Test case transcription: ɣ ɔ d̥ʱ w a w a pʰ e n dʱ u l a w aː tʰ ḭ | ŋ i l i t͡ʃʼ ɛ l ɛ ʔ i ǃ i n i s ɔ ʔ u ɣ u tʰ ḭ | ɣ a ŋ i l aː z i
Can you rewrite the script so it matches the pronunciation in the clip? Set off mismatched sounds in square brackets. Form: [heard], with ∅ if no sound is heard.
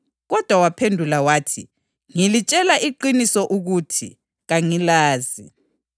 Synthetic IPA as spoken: ɣ ɔ d̥ʱ w a w a pʰ e n dʱ u l a w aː tʰ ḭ | ŋ i l i t͡ʃʼ ɛ l [a] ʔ i ǃ i n i s ɔ ʔ u ɣ u tʰ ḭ | ɣ a ŋ i l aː z i